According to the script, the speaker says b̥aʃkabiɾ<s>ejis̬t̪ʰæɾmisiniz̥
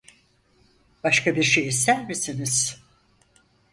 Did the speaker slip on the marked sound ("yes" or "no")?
yes